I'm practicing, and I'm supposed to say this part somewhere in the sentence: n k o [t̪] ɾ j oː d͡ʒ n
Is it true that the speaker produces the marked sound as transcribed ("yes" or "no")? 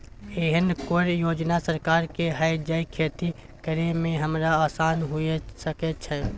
no